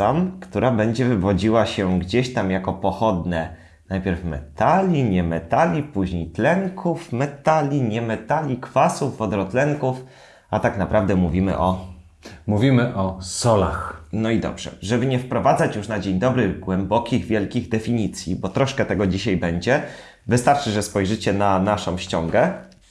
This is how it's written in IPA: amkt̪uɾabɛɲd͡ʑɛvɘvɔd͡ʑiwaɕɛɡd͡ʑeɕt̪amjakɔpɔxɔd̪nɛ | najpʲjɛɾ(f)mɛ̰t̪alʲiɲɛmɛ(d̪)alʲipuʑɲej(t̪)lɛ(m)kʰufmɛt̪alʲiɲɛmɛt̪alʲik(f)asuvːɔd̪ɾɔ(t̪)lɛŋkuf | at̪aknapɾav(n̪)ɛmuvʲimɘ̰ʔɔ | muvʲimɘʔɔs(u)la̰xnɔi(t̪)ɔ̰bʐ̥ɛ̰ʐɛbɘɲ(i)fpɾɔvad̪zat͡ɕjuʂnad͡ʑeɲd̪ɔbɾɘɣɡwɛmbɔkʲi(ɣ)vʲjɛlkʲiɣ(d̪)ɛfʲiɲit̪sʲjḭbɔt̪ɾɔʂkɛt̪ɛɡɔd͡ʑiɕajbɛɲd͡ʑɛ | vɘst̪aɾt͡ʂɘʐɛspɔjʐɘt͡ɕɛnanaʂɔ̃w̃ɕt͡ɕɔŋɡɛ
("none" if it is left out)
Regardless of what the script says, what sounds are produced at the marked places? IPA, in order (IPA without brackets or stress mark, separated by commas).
f, t̪, t̪, ŋ, f, t̪, d̪, ɔ, d̪, ɛ, ɣ, d̪